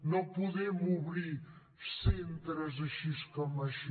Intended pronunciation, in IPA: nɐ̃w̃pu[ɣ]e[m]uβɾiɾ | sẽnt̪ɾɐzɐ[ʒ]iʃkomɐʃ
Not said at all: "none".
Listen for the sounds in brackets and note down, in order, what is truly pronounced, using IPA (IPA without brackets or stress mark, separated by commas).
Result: ð, m, ʃ